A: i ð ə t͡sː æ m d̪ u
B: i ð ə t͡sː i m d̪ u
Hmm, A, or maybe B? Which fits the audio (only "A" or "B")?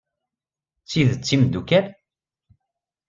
B